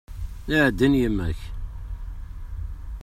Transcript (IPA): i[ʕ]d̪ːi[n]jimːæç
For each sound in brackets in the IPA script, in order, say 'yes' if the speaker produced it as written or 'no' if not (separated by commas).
yes, yes